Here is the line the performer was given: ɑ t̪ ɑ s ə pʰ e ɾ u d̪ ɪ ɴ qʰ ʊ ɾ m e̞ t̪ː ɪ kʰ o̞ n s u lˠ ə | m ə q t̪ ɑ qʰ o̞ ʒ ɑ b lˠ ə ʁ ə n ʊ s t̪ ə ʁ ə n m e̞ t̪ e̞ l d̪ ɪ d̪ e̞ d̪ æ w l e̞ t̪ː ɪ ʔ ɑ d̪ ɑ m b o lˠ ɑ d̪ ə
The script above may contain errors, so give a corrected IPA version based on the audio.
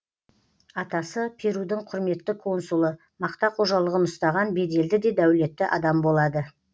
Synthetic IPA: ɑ t̪ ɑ s ə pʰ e ɾ u d̪ ɪ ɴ qʰ ʊ ɾ m e̞ t̪ː ɪ kʰ o̞ n s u lˠ ə | m ɑ q t̪ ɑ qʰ o̞ ʒ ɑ lˠ ə ʁ ə n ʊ s t̪ ɑ ʁ ɑ n b e̞ d̪ e̞ l d̪ ɪ d̪ e̞ d̪ æ w l e̞ t̪ː ɪ ʔ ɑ d̪ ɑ m b o lˠ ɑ d̪ ə